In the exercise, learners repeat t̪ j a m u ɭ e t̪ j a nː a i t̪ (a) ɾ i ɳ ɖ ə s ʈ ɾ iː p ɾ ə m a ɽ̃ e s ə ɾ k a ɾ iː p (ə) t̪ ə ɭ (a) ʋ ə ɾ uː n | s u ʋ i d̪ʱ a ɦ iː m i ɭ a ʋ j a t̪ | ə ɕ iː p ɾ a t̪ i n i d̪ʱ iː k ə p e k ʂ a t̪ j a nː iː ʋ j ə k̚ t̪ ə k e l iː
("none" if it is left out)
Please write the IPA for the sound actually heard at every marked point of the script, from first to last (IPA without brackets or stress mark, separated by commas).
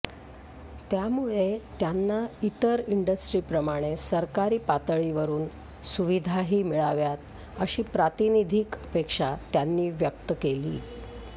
ə, a, i